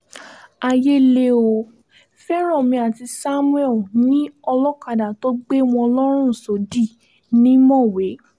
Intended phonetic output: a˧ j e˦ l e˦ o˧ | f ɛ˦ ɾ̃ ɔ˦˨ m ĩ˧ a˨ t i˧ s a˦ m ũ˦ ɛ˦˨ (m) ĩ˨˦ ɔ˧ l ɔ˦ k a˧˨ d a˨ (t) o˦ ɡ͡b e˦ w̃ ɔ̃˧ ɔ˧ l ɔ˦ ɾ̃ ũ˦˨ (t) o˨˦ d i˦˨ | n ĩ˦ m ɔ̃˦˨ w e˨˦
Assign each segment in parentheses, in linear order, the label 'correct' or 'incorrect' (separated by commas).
incorrect, correct, incorrect